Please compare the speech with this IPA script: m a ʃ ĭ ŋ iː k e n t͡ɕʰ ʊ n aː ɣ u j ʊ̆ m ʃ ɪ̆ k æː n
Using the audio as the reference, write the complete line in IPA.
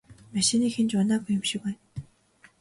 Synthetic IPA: m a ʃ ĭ n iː x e n t͡ɕ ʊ n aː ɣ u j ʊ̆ m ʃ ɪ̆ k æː n